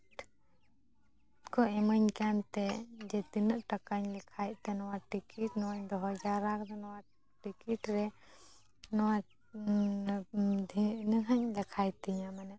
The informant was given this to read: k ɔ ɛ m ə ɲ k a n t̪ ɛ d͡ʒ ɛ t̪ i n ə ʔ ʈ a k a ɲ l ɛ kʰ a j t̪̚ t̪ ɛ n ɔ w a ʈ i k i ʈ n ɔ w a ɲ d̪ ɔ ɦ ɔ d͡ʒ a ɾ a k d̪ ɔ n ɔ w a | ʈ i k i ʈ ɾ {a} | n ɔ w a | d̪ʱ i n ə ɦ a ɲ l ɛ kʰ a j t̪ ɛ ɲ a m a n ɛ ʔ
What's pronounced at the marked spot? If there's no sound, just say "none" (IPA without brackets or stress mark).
ɛ